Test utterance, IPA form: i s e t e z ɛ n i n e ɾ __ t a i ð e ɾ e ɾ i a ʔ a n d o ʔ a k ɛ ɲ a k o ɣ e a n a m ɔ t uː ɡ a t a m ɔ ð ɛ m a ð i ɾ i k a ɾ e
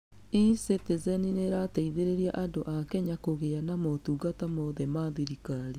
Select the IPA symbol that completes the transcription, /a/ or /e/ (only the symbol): a